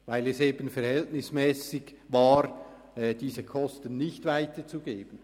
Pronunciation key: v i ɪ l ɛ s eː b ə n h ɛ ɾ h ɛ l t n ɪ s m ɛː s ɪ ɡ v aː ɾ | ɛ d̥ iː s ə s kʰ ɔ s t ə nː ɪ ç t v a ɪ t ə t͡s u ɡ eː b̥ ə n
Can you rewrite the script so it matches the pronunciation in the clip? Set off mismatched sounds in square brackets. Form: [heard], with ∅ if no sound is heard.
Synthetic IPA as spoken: v [a] ɪ l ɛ s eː b ə n [f] ɛ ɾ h ɛ l t n ɪ s m ɛː s ɪ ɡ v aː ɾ | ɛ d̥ iː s ə [∅] kʰ ɔ s t ə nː ɪ ç t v a ɪ t ə t͡s u ɡ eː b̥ ə n